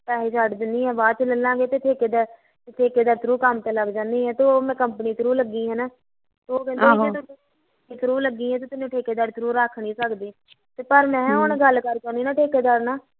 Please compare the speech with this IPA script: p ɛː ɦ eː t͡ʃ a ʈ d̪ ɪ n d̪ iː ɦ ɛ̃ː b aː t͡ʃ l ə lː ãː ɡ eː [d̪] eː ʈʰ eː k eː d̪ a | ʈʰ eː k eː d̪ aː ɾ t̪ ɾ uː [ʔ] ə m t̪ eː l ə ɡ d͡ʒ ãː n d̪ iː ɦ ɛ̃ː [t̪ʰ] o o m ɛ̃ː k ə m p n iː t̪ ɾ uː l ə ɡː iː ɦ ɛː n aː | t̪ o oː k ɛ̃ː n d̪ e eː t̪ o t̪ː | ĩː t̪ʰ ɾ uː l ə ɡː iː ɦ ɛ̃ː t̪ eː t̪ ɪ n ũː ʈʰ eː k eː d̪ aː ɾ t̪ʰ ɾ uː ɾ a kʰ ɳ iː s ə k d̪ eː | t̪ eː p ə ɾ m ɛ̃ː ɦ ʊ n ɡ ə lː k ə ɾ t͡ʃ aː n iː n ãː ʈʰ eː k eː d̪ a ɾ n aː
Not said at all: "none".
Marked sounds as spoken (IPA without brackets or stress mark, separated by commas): t̪, k, t̪